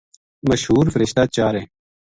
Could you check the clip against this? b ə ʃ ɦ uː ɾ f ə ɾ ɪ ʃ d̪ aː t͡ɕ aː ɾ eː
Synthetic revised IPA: m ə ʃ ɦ uː ɾ f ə ɾ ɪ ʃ t̪ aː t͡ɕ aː ɾ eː